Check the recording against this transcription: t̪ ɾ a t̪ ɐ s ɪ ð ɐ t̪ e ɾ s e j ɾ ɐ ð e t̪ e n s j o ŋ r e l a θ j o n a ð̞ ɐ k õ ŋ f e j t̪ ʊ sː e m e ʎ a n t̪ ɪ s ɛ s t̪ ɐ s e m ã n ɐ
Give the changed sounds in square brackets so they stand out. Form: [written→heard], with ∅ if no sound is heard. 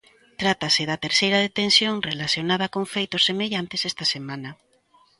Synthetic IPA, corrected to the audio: t̪ ɾ a t̪ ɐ s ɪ ð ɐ t̪ e ɾ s e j ɾ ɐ ð e t̪ e n s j o ŋ r e l a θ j o n a ð̞ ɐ k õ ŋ f e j t̪ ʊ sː e m e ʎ a n t̪ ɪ s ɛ s t̪ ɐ s e m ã n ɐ